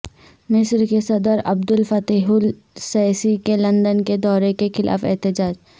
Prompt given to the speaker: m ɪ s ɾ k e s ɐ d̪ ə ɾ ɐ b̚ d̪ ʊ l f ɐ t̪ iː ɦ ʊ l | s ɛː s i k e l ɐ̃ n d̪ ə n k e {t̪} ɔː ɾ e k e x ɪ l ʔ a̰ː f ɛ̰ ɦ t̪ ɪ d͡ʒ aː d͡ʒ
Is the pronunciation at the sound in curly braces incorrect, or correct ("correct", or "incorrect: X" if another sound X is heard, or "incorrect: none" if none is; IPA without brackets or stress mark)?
incorrect: d̪